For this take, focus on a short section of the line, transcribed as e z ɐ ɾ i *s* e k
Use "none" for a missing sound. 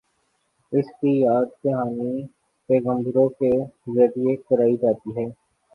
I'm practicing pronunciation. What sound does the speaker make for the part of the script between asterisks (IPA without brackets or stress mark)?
none